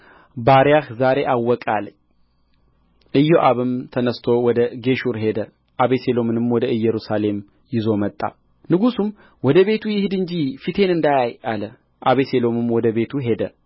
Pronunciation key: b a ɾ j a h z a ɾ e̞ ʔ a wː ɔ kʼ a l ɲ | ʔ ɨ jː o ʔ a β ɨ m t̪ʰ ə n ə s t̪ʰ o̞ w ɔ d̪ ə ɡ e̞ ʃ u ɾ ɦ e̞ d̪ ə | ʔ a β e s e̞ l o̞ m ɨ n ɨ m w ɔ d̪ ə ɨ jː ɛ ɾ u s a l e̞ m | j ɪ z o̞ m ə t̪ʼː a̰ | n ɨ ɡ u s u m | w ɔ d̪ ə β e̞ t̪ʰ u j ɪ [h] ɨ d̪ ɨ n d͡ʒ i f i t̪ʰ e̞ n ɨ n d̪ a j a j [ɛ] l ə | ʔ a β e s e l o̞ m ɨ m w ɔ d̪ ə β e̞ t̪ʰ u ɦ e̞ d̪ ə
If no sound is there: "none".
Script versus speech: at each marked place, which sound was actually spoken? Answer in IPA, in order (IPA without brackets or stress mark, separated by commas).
h, a